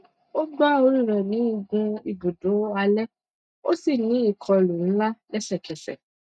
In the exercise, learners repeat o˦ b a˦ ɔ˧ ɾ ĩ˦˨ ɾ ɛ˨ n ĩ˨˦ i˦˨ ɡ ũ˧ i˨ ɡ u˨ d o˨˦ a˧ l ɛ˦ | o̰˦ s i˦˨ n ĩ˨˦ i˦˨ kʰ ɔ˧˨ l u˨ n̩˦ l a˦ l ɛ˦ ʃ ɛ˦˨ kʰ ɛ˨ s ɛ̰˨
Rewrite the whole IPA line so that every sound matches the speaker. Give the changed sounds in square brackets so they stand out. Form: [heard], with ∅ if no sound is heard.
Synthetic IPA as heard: o˦ [ɡ͡b] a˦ [o˧] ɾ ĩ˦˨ ɾ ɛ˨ n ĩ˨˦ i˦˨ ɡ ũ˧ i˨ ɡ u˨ d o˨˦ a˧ l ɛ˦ | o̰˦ s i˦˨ n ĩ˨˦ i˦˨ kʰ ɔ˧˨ l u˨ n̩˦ l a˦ l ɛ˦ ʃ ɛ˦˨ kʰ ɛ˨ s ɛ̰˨